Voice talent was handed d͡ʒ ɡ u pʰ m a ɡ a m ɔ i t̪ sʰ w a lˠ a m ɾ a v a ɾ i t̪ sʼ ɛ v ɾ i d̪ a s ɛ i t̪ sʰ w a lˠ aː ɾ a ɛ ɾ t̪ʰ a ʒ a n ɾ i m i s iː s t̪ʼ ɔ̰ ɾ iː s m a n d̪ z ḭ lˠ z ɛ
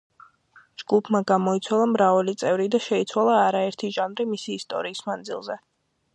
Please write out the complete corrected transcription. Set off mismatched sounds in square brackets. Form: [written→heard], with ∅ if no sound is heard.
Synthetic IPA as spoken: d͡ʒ ɡ u pʰ m a ɡ a m ɔ i t̪ sʰ w a lˠ a m ɾ a v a [ɾ→l] i t̪ sʼ ɛ v ɾ i d̪ a [s→ʃ] ɛ i t̪ sʰ w a lˠ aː ɾ a ɛ ɾ t̪ʰ [a→i] ʒ a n ɾ i m i s iː s t̪ʼ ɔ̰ ɾ iː s m a n d̪ z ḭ lˠ z ɛ